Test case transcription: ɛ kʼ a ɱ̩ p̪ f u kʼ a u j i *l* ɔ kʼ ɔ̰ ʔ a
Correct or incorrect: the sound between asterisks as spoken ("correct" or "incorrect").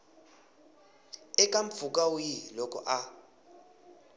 correct